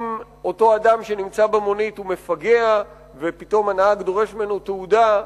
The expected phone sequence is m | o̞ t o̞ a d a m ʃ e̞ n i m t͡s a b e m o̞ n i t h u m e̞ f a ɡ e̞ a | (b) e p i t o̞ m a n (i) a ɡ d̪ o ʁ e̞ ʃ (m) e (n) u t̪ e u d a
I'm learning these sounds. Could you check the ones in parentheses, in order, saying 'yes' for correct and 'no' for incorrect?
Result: no, no, yes, yes

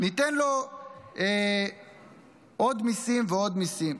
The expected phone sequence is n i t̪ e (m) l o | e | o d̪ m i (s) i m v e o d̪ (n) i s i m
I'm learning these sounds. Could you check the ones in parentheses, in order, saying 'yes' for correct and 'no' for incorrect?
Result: no, yes, no

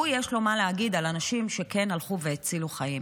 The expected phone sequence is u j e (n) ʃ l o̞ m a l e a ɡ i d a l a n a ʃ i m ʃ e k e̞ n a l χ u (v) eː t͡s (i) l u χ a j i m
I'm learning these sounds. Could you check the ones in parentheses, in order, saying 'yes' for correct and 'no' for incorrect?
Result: no, yes, yes

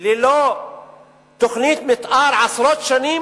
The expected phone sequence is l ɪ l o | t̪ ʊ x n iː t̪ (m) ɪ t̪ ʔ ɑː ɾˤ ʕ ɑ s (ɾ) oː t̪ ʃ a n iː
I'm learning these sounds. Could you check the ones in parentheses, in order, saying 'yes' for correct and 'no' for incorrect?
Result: yes, yes

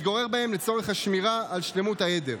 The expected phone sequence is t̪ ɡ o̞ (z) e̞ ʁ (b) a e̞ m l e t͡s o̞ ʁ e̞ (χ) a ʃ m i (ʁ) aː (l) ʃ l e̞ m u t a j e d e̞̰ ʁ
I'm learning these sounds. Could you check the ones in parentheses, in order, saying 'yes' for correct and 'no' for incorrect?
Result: no, yes, yes, yes, yes

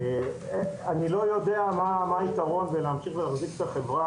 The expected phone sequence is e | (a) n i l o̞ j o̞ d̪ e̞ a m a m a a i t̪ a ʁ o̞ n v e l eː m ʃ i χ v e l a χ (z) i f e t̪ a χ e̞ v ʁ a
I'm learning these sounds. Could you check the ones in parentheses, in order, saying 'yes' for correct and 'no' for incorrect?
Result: yes, yes

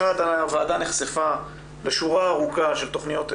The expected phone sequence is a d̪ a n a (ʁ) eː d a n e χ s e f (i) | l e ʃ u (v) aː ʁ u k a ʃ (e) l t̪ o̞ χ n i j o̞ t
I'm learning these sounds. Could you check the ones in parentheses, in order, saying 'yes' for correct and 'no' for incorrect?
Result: no, no, no, yes

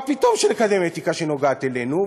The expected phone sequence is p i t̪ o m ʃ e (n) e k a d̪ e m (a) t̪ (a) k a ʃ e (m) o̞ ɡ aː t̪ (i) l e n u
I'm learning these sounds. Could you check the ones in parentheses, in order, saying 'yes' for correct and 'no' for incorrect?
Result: yes, no, no, no, no

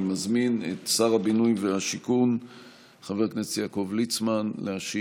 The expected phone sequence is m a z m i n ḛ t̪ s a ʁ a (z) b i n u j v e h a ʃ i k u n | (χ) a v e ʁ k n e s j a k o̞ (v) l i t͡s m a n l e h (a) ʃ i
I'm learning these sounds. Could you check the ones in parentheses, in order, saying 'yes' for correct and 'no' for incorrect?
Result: no, yes, yes, yes

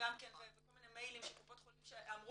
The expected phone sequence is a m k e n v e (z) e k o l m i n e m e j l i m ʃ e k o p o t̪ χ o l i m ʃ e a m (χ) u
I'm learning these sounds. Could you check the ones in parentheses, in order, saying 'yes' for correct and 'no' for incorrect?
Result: no, no

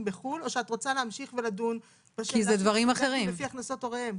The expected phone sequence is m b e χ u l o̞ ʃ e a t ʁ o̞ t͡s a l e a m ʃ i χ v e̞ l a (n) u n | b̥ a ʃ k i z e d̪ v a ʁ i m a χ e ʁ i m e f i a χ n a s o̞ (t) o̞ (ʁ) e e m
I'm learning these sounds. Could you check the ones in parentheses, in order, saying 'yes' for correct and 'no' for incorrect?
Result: no, yes, yes

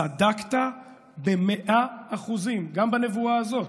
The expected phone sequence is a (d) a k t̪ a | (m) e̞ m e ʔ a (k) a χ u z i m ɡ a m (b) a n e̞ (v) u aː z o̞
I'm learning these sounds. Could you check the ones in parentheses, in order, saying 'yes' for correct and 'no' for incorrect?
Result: yes, no, no, yes, yes

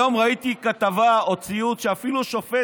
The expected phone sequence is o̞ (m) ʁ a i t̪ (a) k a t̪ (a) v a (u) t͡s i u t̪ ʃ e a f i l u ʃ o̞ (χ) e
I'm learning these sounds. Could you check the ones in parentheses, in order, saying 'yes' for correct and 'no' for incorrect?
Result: yes, no, yes, no, no

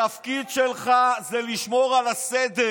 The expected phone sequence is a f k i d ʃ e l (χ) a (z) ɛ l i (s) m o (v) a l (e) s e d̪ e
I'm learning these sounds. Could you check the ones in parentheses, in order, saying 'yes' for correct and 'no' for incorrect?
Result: yes, yes, no, no, no

